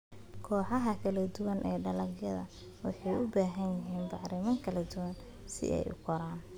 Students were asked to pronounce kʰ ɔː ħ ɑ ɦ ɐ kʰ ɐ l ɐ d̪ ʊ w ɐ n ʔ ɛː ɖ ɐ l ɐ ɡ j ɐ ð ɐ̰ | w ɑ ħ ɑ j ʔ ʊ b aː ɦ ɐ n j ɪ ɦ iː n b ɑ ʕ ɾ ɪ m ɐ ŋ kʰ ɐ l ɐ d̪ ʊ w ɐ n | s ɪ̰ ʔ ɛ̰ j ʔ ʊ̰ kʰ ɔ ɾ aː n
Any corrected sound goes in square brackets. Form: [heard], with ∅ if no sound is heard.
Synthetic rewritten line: kʰ ɔː ħ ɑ ɦ ɐ kʰ ɐ l ɐ d̪ ʊ w ɐ n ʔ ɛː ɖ ɐ l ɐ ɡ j ɐ ð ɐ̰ | w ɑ ħ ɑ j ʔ ʊ b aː ɦ ɐ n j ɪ ɦ iː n b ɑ ʕ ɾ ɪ m ɐ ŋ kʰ ɐ l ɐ d̪ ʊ w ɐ n | s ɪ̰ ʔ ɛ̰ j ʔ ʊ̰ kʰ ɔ ɾ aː n

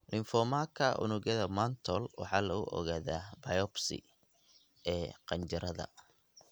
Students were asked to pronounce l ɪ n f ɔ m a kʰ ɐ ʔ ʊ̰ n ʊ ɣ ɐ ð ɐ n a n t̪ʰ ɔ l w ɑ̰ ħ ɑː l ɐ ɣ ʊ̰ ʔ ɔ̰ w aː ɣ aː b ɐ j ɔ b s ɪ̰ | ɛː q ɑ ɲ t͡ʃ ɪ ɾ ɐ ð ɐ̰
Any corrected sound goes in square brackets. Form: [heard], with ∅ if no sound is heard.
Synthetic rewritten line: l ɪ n f ɔ m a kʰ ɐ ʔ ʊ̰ n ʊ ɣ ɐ ð ɐ [m] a n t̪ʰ ɔ l w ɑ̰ ħ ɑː l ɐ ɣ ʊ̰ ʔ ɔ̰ [ɣ] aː [ð] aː b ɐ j ɔ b s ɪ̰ | ɛː q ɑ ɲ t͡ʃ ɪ ɾ ɐ ð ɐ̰

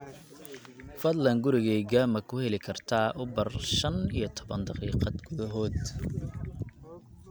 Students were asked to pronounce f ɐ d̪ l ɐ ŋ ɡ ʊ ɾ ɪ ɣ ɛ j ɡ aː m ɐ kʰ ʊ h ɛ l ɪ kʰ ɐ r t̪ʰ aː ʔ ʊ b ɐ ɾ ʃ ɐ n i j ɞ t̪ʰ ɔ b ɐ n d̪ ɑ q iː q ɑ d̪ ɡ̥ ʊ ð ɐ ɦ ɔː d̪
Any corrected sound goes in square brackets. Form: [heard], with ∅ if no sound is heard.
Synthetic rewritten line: f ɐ d̪ l ɐ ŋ ɡ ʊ ɾ ɪ ɣ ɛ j ɡ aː m ɐ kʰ ʊ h ɛ l ɪ kʰ ɐ r t̪ʰ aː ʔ ʊ b ɐ [r] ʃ ɐ n i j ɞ t̪ʰ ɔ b ɐ n d̪ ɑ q iː q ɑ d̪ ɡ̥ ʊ ð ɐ ɦ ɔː d̪

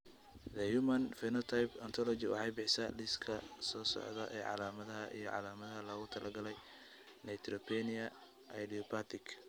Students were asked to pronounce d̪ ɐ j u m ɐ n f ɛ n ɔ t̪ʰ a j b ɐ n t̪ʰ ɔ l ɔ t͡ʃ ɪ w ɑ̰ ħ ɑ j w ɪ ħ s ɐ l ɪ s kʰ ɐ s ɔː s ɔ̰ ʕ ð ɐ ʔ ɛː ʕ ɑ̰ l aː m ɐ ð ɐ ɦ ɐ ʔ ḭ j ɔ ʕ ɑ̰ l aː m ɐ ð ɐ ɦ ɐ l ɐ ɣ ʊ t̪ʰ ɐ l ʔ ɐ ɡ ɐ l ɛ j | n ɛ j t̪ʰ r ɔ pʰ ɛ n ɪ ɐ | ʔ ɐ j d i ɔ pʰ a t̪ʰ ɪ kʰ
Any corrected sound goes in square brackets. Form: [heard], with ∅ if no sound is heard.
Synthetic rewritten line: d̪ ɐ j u m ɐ n f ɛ n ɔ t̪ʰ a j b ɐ n t̪ʰ ɔ l ɔ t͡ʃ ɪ w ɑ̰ ħ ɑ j [b] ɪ ħ s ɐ l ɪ s kʰ ɐ s ɔː s ɔ̰ ʕ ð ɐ ʔ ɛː ʕ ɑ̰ l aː m ɐ ð ɐ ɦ ɐ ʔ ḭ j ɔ ʕ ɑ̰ l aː m ɐ ð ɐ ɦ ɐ l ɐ ɣ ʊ t̪ʰ ɐ l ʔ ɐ ɡ ɐ l ɛ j | n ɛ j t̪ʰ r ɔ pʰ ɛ n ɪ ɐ | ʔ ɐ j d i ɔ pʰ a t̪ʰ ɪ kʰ

